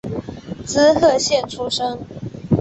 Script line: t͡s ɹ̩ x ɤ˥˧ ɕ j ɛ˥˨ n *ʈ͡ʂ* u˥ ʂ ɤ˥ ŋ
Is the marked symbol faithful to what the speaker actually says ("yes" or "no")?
no